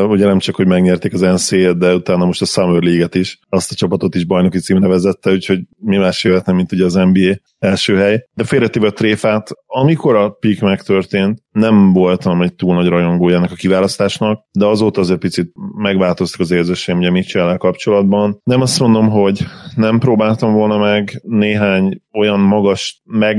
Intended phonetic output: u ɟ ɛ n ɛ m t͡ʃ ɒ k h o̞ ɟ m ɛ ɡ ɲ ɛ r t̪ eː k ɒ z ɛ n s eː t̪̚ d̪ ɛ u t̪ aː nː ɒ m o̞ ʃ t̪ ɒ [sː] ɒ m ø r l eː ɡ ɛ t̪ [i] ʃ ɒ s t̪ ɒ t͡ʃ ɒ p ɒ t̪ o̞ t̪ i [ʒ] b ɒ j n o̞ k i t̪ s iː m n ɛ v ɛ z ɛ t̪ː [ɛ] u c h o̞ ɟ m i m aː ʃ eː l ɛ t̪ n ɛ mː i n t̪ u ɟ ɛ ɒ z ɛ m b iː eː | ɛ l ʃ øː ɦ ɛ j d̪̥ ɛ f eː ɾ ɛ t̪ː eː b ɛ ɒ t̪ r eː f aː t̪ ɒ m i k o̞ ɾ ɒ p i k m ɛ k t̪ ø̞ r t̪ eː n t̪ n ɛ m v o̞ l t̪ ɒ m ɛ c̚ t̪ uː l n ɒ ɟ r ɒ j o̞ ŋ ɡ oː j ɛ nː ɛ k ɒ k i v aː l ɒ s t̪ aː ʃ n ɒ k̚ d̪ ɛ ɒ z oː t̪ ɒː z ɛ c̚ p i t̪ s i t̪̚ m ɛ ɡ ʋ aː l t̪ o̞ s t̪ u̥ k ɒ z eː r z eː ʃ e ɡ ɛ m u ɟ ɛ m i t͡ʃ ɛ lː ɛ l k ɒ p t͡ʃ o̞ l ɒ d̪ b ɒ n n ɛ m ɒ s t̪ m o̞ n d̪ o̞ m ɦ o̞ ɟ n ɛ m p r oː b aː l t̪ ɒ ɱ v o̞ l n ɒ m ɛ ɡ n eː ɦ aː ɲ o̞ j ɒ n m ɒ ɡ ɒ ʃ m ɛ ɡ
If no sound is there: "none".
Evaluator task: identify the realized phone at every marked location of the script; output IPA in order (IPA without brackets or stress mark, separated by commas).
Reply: s, i, ʒ, ɛ